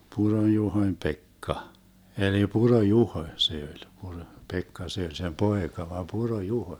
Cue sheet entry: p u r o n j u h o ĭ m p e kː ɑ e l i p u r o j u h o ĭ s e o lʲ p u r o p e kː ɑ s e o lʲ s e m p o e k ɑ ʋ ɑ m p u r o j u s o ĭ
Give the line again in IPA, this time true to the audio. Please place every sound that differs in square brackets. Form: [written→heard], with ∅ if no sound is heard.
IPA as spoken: p u r o n j u h o ĭ m p e kː ɑ e l i p u r o j u h o ĭ s e o lʲ p u r o p e kː ɑ s e o lʲ s e m p o e k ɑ ʋ ɑ m p u r o j u [s→h] o ĭ